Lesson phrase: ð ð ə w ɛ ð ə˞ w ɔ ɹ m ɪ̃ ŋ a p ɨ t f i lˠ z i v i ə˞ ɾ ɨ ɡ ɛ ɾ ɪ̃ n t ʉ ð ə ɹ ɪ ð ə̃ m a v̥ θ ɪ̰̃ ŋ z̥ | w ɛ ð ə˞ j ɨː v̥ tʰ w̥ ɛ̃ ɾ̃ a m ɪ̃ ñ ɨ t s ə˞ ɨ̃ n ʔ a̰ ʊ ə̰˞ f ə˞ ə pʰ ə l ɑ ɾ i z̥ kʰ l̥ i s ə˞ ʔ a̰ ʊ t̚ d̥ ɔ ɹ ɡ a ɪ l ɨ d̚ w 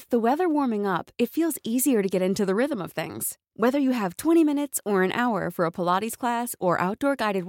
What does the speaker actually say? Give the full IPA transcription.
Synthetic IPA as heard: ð ð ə w ɛ ð ə˞ w ɔ ɹ m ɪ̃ ŋ ʌ p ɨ t f i lˠ z i z i ə˞ ɾ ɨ ɡ ɛ ɾ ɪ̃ n t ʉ ð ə ɹ ɪ ð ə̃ m ʌ v̥ θ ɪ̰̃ ŋ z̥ | w ɛ ð ə˞ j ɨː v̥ tʰ w̥ ɛ̃ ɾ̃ i m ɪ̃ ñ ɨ t s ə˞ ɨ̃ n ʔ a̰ ʊ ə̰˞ f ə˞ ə pʰ ə l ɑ ɾ i z̥ kʰ l̥ æ s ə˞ ʔ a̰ ʊ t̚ d̥ ɔ ɹ ɡ a ɪ ɾ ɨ d̚ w